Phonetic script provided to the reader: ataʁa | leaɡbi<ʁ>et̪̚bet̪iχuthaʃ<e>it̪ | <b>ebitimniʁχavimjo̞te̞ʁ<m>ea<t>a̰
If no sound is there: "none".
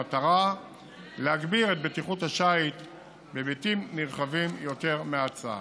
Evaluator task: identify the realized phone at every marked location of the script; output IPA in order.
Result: ʁ, a, b, m, t͡s

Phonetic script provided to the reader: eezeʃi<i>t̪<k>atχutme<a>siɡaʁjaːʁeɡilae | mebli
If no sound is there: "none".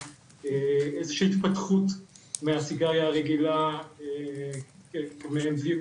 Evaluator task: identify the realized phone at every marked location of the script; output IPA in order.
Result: i, p, a

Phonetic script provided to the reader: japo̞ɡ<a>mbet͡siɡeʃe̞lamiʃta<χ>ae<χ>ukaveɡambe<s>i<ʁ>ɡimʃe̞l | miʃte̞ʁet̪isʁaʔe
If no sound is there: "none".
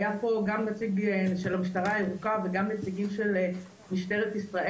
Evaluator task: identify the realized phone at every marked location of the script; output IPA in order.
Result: a, ʁ, ʁ, t͡s, none

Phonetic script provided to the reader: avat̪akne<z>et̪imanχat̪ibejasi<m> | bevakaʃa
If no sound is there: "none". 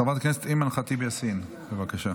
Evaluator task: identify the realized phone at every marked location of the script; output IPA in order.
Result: s, n

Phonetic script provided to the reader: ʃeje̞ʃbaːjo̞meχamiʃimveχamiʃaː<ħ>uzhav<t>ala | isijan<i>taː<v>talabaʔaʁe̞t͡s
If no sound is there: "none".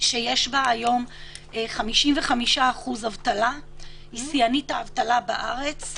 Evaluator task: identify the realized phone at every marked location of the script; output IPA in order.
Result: χ, t, i, v

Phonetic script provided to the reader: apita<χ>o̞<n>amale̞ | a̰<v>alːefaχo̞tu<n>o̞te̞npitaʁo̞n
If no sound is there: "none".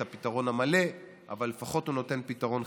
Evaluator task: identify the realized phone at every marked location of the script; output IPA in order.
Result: ʁ, n, v, n

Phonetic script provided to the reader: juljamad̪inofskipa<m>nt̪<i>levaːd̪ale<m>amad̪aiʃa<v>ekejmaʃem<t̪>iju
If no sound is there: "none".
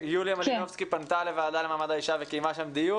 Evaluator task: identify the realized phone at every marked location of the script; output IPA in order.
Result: none, a, m, v, d̪

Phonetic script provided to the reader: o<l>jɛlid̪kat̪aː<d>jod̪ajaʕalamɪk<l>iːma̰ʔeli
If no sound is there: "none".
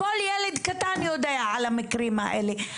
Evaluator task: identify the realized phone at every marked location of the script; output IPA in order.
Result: l, n, ɾ

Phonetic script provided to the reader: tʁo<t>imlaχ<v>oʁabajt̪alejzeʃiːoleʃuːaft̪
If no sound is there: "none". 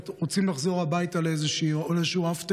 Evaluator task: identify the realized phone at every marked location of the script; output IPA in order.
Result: t͡s, z

